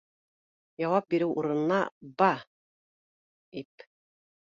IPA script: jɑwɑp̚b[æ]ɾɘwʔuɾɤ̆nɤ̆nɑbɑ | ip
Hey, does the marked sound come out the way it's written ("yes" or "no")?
no